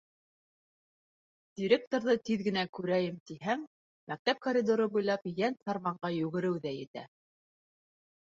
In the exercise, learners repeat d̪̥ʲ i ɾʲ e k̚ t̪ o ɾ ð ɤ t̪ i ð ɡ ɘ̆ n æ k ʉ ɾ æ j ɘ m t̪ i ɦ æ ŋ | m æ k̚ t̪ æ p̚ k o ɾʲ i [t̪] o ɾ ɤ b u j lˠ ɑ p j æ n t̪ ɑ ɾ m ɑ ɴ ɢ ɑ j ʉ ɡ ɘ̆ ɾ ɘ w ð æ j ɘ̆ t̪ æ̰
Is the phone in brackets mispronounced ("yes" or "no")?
yes